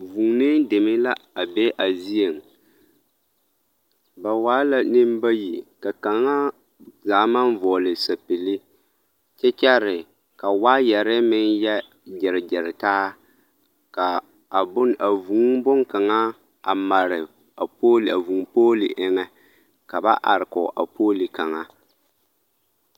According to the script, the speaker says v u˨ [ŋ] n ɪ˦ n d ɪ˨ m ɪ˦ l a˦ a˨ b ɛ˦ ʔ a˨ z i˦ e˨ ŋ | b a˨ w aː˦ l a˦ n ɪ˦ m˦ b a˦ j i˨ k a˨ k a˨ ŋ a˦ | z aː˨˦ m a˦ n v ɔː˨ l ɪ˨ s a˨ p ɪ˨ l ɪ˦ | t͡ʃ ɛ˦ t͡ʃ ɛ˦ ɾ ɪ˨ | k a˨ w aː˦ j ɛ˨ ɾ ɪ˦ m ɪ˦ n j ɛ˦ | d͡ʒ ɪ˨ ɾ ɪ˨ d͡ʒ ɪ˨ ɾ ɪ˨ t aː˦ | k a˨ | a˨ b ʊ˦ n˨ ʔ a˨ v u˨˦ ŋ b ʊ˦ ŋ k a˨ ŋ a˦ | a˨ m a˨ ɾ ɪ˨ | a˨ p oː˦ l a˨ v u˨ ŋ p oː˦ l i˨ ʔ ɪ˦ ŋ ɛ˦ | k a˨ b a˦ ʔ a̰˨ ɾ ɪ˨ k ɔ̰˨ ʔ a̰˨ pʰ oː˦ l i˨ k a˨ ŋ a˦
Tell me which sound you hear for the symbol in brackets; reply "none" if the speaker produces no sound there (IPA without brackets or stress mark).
ŋ